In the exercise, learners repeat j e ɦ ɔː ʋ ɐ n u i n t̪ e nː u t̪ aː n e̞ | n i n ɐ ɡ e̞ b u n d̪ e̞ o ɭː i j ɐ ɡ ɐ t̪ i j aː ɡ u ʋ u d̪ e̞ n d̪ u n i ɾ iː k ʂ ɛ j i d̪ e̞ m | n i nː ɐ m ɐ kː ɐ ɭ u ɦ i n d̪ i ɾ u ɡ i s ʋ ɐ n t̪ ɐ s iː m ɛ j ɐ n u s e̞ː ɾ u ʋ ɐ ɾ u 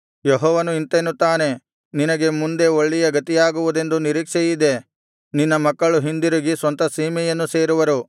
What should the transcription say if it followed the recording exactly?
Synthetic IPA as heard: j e ɦ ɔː ʋ ɐ n u i n t̪ e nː u t̪ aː n e̞ | n i n ɐ ɡ e̞ m u n d̪ e̞ o ɭː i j ɐ ɡ ɐ t̪ i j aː ɡ u ʋ u d̪ e̞ n d̪ u n i ɾ iː k ʂ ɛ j i d̪ e̞ | n i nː ɐ m ɐ kː ɐ ɭ u ɦ i n d̪ i ɾ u ɡ i s ʋ ɐ n t̪ ɐ s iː m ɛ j ɐ nː u s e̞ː ɾ u ʋ ɐ ɾ u